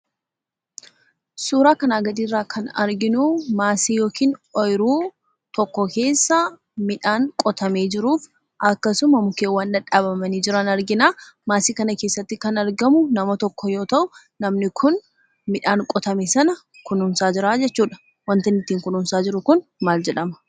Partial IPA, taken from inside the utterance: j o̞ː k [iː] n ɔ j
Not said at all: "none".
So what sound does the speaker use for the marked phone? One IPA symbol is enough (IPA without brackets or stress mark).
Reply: iː